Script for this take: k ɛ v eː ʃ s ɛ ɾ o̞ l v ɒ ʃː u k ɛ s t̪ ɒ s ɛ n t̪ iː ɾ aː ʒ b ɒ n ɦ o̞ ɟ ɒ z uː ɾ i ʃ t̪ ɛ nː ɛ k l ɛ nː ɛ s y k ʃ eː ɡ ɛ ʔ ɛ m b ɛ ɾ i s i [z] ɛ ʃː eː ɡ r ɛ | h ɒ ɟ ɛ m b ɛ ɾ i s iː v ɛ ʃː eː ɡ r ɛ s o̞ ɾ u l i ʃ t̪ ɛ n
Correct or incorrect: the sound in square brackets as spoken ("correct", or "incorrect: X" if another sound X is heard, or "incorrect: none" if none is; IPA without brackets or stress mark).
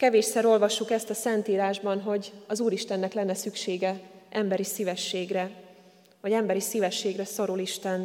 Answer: incorrect: v